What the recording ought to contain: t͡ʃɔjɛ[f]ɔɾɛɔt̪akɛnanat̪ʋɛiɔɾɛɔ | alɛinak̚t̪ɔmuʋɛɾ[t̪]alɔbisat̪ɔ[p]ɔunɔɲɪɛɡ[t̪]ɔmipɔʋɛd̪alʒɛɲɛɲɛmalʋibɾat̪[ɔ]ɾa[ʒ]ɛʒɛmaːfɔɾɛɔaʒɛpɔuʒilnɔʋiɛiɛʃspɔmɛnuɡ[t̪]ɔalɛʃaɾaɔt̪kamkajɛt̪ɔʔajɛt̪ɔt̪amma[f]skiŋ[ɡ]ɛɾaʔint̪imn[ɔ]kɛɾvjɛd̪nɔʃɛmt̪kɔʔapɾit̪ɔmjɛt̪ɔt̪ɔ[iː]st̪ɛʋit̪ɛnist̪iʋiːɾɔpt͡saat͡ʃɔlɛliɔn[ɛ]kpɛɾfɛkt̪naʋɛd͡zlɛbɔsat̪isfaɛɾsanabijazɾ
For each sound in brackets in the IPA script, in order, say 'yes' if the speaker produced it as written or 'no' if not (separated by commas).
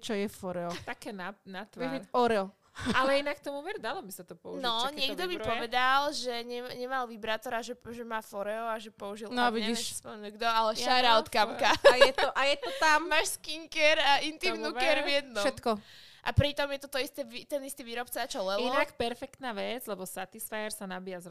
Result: yes, no, yes, no, yes, yes, no, no, no, no, no, no